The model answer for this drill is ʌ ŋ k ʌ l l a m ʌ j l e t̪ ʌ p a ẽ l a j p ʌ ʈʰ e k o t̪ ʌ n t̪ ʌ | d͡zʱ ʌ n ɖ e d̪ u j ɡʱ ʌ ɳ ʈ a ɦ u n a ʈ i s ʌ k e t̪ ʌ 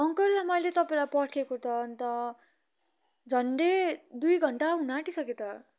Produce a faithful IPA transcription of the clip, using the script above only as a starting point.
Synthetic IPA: ʌ ŋ k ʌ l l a m ʌ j l e t̪ ʌ p a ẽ l a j p ʌ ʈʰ e k o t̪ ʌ n t̪ ʌ | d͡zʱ ʌ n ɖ e d̪ u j ɡʱ ʌ ɳ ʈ a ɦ u n a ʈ i s ʌ k e t̪ ʌ